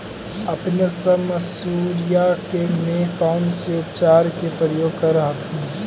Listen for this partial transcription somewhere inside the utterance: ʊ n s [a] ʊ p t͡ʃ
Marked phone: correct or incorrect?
incorrect: e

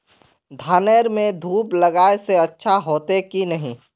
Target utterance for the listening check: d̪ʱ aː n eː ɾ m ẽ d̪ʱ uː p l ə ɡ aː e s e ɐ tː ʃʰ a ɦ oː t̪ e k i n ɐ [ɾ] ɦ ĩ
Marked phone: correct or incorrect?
incorrect: none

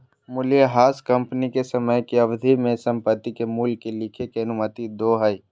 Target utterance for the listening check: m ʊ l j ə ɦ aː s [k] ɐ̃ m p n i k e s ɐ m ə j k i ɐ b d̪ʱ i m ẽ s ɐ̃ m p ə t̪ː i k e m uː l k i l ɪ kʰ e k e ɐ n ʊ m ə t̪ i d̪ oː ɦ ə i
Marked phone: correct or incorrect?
correct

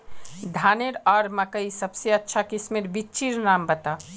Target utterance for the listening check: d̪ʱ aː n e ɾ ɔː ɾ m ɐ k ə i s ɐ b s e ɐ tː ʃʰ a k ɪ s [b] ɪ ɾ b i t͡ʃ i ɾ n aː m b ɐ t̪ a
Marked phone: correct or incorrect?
incorrect: m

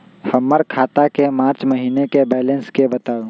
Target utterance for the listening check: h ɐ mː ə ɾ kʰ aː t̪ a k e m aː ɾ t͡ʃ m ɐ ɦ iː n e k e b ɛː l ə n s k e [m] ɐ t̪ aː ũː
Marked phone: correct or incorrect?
incorrect: b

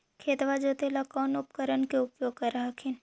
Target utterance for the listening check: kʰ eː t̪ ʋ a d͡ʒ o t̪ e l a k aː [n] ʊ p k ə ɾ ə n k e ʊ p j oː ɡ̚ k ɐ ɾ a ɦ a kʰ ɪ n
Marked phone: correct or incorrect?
correct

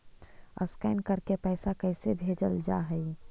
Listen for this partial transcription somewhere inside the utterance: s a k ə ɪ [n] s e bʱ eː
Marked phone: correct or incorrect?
incorrect: none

